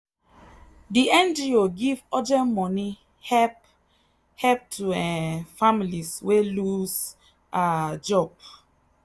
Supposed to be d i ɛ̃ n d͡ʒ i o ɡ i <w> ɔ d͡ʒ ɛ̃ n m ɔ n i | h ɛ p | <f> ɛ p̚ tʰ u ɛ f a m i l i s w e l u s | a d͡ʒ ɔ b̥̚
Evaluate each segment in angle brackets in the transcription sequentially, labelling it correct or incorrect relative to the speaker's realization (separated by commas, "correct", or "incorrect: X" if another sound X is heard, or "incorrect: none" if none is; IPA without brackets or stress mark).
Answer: incorrect: v, incorrect: h